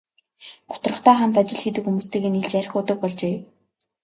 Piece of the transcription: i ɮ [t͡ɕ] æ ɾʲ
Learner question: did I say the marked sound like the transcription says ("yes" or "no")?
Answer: yes